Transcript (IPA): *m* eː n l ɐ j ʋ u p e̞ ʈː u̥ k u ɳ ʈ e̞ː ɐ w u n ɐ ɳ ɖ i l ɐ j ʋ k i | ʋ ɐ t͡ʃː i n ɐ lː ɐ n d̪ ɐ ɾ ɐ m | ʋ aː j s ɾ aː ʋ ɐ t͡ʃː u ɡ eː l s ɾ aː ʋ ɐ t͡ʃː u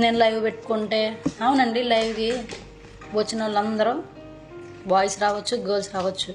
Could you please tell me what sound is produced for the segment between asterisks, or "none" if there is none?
n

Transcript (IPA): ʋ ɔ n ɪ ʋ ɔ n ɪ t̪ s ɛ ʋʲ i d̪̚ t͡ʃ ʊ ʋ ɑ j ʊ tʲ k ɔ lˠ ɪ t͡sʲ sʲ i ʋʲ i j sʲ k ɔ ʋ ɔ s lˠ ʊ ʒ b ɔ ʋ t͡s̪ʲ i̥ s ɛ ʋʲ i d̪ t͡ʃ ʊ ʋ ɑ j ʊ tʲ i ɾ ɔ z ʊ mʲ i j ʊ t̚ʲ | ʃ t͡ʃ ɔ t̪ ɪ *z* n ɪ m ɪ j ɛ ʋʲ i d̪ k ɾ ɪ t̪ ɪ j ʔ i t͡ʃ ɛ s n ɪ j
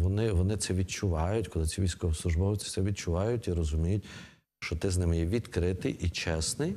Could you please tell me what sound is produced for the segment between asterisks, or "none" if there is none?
z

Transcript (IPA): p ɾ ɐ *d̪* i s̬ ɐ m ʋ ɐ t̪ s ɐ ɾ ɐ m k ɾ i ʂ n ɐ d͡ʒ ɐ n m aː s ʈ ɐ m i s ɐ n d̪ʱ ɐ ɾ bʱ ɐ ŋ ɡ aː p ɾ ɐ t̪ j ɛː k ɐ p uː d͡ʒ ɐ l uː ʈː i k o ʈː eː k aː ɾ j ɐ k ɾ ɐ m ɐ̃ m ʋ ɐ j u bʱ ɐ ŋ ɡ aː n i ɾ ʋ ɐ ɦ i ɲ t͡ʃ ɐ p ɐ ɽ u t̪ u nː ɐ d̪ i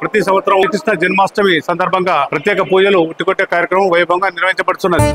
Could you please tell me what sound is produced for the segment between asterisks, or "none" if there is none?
t̪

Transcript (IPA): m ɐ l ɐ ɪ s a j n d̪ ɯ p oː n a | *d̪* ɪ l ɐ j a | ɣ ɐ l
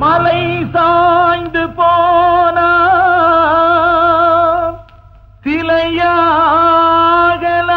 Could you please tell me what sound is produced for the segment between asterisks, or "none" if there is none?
t̪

